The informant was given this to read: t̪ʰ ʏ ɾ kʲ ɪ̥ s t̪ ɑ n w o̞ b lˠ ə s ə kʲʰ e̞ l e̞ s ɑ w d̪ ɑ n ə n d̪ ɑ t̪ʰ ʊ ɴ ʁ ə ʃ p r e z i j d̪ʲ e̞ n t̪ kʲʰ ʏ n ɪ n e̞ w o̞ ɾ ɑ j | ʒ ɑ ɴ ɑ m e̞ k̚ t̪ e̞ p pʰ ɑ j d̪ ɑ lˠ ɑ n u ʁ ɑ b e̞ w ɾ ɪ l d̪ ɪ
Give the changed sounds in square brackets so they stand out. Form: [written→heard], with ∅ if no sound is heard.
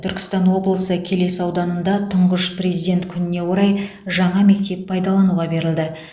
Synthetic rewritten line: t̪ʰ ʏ ɾ kʲ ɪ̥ s t̪ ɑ n w o̞ b lˠ ə s ə kʲʰ e̞ l e̞ s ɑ w d̪ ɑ n ə n d̪ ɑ t̪ʰ ʊ ɴ ʁ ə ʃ p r e z i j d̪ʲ e̞ n t̪ kʲʰ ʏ n ɪ n e̞ w o̞ ɾ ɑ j | ʒ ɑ ɴ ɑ m e̞ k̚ t̪ e̞ p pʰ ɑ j d̪ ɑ lˠ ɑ n u ʁ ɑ b e̞ [w→∅] ɾ ɪ l d̪ ɪ

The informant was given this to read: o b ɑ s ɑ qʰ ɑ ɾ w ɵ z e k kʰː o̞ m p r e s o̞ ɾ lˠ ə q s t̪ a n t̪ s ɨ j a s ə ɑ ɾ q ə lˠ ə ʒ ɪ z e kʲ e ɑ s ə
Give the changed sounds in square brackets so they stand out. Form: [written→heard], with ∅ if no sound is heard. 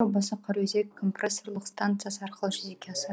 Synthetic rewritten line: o b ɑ s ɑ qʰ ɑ ɾ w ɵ z e k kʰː o̞ m p r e s o̞ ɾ lˠ ə q s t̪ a n t̪ s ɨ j a s ə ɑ ɾ q ə lˠ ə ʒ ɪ z e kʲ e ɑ s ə

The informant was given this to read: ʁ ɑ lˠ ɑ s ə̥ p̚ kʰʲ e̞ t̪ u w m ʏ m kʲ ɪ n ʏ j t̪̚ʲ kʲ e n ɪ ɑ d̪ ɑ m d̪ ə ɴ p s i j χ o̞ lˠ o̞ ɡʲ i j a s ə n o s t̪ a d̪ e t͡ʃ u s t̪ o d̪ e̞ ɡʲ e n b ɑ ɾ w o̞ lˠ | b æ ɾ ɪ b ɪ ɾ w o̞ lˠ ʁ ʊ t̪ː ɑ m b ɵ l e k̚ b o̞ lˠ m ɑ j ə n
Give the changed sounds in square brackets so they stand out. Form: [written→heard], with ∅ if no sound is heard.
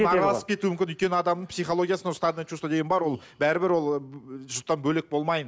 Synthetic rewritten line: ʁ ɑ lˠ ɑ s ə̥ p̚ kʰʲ e̞ t̪ u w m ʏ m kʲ ɪ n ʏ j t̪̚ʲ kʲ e n ɪ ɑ d̪ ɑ m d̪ ə ɴ p s i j χ o̞ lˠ o̞ ɡʲ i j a s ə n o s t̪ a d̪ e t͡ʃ u s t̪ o d̪ e̞ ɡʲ e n b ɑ ɾ w o̞ lˠ | b æ ɾ ɪ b ɪ ɾ w o̞ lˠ [ʁ→ʒ] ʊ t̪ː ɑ [m→n] b ɵ l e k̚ b o̞ lˠ m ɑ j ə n

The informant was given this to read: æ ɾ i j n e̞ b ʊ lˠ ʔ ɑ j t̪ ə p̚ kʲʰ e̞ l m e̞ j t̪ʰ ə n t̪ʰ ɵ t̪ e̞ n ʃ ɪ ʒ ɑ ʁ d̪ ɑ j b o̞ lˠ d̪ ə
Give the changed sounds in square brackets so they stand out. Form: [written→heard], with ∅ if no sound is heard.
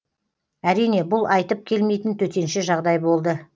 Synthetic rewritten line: æ ɾ i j n e̞ b ʊ lˠ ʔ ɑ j t̪ ə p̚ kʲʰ e̞ l m e̞ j [t̪ʰ→t̪] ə n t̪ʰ ɵ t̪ e̞ n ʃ ɪ ʒ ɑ ʁ d̪ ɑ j b o̞ lˠ d̪ ə

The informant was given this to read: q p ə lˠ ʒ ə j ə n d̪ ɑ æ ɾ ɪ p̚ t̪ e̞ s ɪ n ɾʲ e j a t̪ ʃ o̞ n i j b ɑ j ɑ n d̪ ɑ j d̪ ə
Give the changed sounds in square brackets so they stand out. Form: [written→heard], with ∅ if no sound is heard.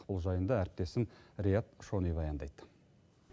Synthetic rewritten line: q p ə lˠ ʒ [ə→ɑ] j ə n d̪ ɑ æ ɾ ɪ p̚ t̪ e̞ s ɪ n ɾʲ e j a t̪ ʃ o̞ n i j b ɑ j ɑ n d̪ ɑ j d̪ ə

